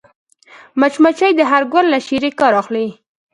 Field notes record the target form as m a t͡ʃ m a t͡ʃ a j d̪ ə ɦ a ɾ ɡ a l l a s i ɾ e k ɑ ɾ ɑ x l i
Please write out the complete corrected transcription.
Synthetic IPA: m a t͡ʃ m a t͡ʃ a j d̪ ə ɦ a ɾ ɡ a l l a ʃ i ɾ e k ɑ ɾ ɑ x l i

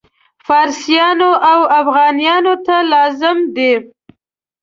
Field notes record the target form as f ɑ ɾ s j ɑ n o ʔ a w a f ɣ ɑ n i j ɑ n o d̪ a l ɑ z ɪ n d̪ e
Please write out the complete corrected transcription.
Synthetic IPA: f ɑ ɾ s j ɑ n o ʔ a w a f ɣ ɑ n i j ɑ n o t̪ a l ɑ z ɪ m d̪ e

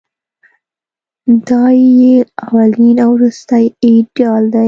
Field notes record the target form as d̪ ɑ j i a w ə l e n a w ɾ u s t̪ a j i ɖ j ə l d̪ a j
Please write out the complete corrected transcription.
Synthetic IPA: d̪ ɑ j e a w a l i n a w ɾ u s t̪ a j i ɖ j ɑ l d̪ a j

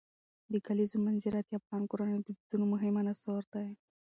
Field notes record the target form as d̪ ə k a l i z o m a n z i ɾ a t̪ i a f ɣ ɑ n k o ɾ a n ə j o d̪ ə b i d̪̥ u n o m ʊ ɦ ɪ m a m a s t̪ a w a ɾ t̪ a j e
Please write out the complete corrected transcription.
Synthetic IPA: d̪ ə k a l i z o m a n z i ɾ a t̪ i a f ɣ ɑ n k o ɾ a n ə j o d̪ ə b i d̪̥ u n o m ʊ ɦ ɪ m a n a s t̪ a w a ɾ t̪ a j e

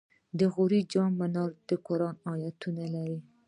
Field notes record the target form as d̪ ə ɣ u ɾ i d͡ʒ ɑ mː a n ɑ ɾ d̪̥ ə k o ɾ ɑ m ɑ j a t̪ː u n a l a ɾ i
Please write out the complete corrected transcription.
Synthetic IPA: d̪ ə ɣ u ɾ i d͡ʒ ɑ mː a n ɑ ɾ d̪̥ ə k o ɾ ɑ n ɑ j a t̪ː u n a l a ɾ i

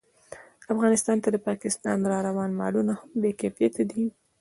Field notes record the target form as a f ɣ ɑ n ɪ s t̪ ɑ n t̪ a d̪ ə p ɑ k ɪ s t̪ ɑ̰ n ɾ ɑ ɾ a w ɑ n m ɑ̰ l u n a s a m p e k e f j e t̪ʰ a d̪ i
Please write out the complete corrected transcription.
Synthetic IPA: a f ɣ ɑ n ɪ s t̪ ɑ n t̪ a d̪ ə p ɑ k ɪ s t̪ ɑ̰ n ɾ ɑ ɾ a w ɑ n m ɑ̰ l u n a h a m b e k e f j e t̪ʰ a d̪ i

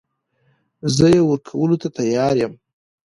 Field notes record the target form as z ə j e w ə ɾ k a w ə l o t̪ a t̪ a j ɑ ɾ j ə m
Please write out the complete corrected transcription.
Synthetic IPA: z ə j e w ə ɾ kʰ a w ə l o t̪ a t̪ a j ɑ ɾ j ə m

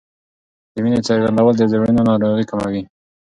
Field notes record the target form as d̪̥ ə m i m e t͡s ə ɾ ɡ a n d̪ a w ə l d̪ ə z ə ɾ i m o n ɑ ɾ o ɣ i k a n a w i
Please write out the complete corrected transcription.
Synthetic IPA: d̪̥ ə m i n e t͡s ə ɾ ɡ a n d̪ a w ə l d̪ ə z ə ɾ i n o n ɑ ɾ o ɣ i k a m a w i

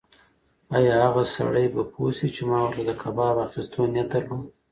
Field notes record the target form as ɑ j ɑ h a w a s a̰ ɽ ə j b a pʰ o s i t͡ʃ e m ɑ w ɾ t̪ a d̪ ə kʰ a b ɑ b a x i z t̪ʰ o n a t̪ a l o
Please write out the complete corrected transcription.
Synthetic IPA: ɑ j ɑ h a ɣ a s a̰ ɽ ə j b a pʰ o s i t͡ʃ e m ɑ w ɾ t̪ a d̪ ə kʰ a b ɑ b a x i s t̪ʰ o n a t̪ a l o

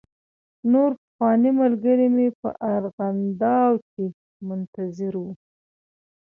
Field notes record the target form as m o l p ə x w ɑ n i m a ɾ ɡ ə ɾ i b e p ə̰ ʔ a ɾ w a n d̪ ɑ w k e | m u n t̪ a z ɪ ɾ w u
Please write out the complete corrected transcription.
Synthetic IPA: n o ɾ p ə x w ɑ n i m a l ɡ ə ɾ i m e p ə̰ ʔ a ɾ ɣ a n d̪ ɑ w k e | m ʊ n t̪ a z ɪ ɾ w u

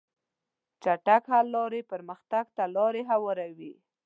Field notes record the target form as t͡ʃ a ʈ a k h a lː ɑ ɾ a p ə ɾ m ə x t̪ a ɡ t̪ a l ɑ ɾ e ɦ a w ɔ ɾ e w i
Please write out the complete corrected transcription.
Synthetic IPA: t͡ʃ a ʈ a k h a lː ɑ ɾ e p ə ɾ m ə x t̪ a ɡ t̪ a l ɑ ɾ e ɦ a w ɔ ɾ a w i

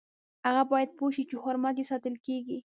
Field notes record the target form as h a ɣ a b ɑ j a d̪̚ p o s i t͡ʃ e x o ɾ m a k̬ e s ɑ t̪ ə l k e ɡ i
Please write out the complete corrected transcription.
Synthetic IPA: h a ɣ a b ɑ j a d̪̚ p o ʃ i t͡ʃ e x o ɾ m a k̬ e s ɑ t̪ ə l k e ɡ i

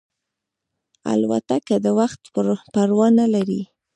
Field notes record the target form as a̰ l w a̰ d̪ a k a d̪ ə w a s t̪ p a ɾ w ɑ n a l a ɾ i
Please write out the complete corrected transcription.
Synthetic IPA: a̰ l w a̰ t̪ a k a d̪ ə w a x t̪ p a ɾ w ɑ n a l a ɾ i

